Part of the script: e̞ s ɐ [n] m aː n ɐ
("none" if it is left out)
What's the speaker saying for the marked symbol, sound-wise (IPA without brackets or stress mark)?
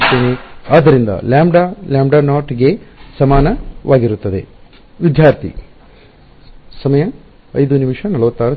none